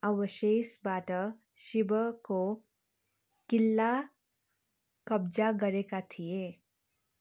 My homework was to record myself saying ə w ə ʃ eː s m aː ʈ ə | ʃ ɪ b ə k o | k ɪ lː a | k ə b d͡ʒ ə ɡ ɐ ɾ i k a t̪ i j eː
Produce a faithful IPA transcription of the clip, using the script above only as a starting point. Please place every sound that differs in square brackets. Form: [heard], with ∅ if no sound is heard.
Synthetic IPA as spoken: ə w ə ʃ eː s [b] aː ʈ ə | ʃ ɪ b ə k o | k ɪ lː a | k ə b d͡ʒ [a] ɡ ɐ ɾ [e] k a [t̪ʰ] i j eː